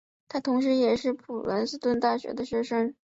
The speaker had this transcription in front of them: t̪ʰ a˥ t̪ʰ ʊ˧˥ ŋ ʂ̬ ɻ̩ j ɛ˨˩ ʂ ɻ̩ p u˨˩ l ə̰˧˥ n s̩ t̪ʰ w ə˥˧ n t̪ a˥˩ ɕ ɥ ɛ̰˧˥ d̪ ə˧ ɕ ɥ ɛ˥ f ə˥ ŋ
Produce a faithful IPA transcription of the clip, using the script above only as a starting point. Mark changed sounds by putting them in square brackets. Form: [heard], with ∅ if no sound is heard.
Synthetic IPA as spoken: t̪ʰ a˥ t̪ʰ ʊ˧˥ ŋ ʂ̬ ɻ̩ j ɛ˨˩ ʂ ɻ̩ [pʰ] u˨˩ l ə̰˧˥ n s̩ [t̪] w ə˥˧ n t̪ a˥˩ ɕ ɥ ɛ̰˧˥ d̪ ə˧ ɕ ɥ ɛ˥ [ʂ] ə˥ ŋ